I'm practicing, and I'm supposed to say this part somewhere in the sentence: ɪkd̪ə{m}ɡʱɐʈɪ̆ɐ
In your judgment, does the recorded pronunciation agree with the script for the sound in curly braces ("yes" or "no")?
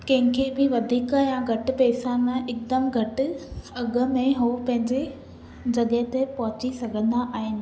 yes